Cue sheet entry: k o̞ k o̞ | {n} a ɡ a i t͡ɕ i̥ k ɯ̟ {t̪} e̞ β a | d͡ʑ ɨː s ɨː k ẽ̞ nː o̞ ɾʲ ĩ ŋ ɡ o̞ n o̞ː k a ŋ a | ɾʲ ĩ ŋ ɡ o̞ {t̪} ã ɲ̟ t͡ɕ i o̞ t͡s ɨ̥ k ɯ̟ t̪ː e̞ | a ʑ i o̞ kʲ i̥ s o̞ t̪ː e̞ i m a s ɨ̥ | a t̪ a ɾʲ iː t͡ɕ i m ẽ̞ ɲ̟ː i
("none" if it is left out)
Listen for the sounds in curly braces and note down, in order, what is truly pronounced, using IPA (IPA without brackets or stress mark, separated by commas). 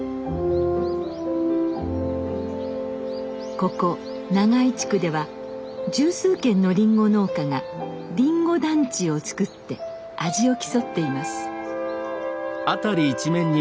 n, d̪, d̪